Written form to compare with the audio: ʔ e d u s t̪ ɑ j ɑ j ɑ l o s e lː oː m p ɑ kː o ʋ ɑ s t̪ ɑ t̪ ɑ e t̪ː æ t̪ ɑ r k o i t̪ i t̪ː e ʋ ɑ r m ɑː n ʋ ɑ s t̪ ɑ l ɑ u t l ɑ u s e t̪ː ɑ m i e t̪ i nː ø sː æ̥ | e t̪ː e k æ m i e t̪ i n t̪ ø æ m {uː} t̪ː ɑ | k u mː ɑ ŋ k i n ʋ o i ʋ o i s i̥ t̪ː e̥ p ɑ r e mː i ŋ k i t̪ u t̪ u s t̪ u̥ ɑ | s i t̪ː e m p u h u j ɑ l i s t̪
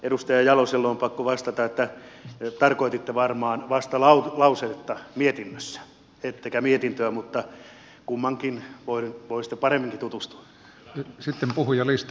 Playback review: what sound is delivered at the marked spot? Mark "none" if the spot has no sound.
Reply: u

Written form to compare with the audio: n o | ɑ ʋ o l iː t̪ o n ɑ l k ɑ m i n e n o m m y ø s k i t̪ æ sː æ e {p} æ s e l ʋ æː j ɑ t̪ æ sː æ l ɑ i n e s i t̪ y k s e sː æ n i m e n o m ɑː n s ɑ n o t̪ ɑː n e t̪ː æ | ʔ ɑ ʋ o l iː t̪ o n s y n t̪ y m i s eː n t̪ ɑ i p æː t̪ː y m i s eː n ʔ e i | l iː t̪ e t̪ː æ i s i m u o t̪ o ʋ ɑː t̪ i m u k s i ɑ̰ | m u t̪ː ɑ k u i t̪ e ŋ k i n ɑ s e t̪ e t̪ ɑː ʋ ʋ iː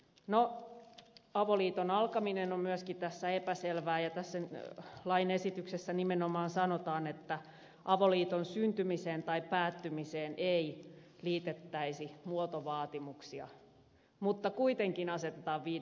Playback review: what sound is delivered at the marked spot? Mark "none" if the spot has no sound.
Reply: p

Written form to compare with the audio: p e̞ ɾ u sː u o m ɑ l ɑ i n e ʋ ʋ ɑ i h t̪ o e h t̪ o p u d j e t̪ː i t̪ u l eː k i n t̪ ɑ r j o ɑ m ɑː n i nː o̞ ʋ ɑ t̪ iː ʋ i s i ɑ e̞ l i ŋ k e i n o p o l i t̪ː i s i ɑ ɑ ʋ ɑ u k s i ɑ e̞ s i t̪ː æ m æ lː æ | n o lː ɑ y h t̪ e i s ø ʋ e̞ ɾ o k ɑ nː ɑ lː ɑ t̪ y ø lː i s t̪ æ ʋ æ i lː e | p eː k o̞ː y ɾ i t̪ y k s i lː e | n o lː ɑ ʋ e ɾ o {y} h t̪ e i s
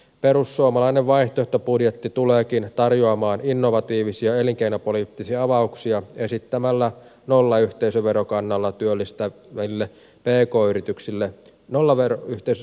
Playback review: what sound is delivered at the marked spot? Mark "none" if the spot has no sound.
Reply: y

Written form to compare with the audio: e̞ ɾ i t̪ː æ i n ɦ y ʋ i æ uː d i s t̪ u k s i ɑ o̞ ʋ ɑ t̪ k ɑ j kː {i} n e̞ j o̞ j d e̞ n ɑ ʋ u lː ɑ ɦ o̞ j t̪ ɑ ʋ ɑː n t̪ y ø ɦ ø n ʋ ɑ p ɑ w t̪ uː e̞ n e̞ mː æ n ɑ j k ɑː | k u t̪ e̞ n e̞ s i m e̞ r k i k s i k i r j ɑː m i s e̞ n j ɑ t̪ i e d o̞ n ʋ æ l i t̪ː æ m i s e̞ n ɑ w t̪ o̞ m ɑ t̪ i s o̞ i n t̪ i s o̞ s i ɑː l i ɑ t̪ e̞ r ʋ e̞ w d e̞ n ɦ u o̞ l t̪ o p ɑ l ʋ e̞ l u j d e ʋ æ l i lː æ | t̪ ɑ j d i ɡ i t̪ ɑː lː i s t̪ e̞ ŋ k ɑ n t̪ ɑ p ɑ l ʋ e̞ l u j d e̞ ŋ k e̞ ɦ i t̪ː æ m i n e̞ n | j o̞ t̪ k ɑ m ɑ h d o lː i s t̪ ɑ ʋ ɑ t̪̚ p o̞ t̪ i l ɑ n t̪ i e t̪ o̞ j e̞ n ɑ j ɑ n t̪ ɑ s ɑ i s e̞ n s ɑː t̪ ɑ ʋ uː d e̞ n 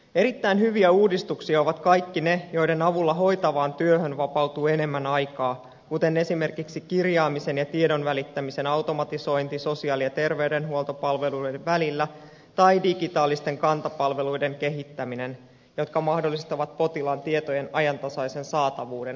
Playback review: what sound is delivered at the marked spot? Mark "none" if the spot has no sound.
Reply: i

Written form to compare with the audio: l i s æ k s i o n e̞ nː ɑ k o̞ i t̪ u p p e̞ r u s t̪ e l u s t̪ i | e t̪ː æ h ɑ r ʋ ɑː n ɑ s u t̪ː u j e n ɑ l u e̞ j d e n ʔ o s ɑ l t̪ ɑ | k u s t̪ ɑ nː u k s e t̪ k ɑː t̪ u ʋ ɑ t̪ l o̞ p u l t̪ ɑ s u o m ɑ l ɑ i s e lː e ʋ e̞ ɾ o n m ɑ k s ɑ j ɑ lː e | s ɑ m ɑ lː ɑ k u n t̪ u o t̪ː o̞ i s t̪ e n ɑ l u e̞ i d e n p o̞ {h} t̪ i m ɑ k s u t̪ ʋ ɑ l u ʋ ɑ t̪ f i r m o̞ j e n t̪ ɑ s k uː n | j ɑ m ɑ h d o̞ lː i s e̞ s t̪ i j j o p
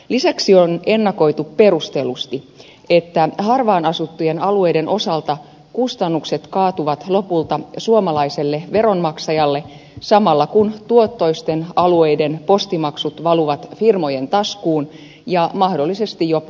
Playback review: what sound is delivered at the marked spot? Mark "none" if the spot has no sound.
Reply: s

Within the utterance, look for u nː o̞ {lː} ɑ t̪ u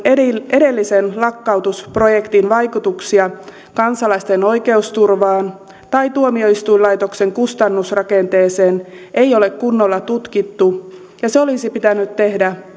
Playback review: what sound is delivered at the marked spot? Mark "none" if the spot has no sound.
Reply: lː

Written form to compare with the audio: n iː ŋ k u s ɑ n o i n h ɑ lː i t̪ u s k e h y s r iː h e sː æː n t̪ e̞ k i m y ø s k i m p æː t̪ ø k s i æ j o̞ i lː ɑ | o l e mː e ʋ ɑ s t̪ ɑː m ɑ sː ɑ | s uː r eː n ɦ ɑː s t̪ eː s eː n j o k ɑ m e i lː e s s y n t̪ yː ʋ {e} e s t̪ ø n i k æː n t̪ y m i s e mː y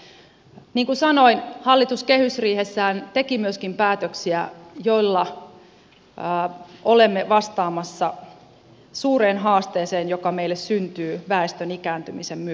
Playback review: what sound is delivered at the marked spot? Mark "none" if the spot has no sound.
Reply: æ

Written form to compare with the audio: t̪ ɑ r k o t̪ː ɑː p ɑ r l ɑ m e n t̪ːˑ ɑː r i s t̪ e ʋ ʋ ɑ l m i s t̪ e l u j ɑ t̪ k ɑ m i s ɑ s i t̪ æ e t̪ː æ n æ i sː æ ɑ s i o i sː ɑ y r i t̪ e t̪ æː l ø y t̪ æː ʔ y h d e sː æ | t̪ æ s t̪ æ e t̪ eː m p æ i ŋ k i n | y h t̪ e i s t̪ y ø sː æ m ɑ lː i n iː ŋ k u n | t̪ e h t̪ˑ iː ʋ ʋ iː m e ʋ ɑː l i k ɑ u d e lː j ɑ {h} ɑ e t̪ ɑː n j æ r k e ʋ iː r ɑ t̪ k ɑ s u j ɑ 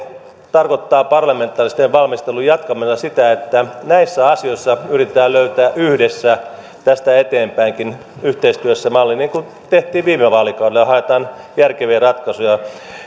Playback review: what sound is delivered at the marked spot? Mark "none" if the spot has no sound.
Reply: h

